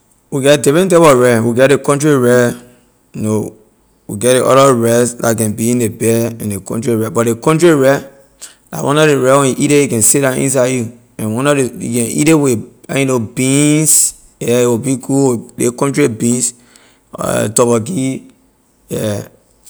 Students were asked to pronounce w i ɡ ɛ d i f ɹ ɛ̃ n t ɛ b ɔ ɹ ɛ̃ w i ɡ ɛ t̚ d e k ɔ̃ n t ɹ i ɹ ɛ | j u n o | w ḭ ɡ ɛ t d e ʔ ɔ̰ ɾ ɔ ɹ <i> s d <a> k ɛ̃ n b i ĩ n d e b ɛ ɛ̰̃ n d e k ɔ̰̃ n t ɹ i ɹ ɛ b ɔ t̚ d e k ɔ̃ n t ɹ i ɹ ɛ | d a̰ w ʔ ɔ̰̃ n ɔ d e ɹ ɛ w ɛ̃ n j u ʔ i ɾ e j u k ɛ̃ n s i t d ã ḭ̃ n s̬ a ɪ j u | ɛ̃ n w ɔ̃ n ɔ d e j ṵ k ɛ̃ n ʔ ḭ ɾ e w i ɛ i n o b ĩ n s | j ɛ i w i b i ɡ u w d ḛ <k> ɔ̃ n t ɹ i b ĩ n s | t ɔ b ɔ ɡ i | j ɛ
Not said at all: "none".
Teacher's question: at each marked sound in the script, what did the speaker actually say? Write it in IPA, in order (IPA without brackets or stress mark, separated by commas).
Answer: ɛ, a, k